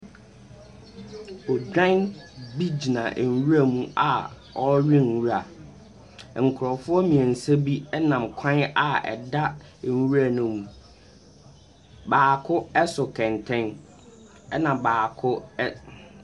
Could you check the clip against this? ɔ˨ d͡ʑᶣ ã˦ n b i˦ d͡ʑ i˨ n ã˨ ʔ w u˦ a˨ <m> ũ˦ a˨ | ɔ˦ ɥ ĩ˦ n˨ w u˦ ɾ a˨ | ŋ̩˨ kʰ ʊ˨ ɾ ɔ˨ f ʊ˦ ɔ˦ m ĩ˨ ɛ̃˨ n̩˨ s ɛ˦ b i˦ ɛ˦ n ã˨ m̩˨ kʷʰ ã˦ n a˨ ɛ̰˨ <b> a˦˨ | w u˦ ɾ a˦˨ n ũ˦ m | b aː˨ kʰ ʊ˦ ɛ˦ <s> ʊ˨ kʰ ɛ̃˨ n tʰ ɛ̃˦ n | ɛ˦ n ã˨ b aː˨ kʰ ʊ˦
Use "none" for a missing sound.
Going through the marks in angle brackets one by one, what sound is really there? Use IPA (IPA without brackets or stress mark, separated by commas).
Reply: m, d, s